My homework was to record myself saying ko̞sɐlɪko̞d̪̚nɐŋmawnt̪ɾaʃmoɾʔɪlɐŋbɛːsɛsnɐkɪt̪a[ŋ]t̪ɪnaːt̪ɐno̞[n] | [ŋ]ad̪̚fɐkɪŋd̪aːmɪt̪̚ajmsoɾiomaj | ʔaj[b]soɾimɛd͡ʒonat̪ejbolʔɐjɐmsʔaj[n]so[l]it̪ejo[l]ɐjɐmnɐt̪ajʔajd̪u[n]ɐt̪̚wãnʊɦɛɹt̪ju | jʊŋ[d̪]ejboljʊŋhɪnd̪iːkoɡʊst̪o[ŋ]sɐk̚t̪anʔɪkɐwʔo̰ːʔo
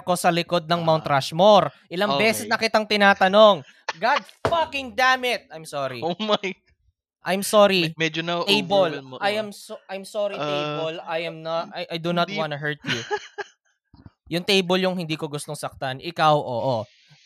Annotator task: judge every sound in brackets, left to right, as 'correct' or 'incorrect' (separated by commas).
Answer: correct, incorrect, incorrect, incorrect, incorrect, incorrect, correct, correct, incorrect, correct